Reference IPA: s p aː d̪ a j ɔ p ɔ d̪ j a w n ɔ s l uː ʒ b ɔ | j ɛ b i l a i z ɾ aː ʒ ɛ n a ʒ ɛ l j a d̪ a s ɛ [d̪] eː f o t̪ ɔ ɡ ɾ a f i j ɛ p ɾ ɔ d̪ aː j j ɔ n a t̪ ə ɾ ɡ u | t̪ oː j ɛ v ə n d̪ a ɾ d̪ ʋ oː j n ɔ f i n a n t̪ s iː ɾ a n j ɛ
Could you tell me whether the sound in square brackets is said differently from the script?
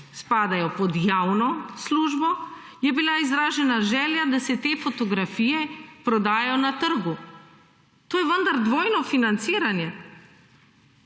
yes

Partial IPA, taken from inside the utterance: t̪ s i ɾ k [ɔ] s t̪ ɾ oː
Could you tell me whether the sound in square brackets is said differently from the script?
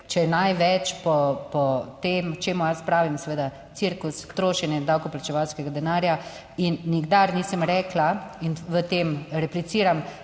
yes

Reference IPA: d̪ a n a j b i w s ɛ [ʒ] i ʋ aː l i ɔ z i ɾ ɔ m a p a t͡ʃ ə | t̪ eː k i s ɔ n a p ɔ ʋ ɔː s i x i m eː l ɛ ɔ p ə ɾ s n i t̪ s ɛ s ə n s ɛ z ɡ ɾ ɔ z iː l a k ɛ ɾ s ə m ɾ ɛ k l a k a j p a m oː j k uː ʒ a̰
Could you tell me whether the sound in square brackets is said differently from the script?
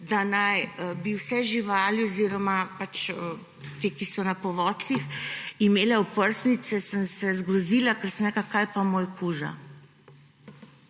no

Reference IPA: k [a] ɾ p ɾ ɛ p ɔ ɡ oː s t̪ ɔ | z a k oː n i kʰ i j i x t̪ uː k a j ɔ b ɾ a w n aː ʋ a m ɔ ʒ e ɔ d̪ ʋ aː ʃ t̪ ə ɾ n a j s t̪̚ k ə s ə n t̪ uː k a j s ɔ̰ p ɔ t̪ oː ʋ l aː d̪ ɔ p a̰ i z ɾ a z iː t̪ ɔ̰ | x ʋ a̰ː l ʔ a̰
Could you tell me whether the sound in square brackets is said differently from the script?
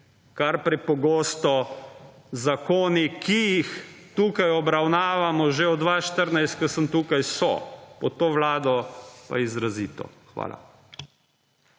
no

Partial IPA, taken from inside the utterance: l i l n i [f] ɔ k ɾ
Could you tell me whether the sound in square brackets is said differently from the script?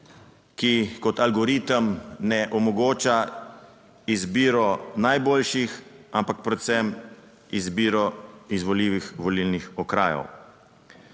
yes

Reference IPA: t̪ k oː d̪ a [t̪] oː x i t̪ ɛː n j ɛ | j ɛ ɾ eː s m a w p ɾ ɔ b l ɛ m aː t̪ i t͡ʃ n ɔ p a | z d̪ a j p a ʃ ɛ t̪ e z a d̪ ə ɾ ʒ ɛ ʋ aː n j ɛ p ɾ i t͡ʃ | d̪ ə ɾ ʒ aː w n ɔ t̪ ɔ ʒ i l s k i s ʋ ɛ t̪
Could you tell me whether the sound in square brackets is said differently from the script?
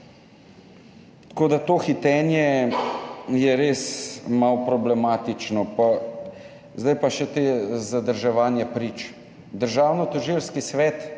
no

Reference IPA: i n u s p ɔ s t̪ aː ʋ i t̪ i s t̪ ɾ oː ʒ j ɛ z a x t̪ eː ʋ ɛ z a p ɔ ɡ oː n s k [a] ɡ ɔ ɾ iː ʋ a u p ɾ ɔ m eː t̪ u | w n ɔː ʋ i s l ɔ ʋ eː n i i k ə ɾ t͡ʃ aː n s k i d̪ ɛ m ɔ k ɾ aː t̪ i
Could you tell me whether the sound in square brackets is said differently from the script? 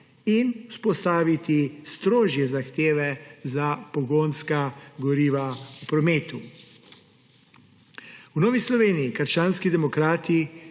no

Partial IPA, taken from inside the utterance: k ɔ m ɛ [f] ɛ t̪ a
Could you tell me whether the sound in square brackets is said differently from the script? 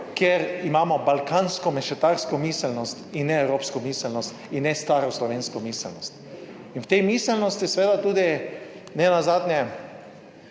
yes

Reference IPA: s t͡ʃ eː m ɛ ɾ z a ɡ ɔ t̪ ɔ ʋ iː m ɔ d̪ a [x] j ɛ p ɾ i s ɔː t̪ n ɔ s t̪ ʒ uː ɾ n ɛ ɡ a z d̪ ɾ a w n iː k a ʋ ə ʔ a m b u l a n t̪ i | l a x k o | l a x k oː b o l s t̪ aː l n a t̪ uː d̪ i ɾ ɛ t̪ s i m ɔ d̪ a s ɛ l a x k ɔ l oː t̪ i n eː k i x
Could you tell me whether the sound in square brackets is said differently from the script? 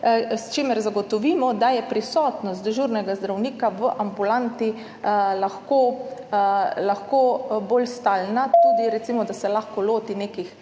yes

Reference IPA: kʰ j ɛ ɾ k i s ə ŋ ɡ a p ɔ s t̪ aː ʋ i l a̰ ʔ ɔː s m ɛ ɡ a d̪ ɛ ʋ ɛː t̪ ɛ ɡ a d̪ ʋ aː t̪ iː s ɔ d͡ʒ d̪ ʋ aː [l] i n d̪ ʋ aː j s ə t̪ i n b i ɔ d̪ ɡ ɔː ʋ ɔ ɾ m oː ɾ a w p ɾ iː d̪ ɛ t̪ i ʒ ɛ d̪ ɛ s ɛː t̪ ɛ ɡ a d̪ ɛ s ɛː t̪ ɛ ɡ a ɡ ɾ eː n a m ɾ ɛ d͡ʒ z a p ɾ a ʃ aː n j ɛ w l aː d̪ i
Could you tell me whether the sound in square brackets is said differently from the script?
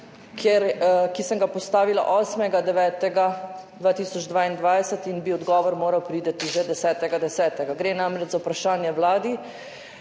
yes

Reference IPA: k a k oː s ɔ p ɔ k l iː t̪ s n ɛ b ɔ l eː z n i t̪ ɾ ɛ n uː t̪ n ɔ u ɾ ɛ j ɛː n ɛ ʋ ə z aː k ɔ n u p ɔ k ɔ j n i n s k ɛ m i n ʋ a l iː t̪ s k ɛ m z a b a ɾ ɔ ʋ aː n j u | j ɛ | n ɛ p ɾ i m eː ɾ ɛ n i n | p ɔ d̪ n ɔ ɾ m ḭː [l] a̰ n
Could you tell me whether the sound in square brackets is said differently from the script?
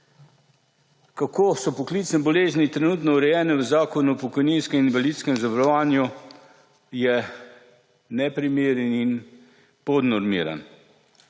yes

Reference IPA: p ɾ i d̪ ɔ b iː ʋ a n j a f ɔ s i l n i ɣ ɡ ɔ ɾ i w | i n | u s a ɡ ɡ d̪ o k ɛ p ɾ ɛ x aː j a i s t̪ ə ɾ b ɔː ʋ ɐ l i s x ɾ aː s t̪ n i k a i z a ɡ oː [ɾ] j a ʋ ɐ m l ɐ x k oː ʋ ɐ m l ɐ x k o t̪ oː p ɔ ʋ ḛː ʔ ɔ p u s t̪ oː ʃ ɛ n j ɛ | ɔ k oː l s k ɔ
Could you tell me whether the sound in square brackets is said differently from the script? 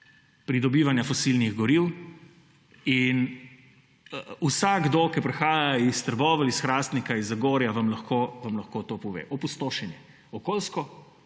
no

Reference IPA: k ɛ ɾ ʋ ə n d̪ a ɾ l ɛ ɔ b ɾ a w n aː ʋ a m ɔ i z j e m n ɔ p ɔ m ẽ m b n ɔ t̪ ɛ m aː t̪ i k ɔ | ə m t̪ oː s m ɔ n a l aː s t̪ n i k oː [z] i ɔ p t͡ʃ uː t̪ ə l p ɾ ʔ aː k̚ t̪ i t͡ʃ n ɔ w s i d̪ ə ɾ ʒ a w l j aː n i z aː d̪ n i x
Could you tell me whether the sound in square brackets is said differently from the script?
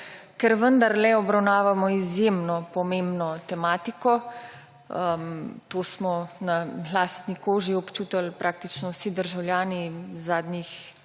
yes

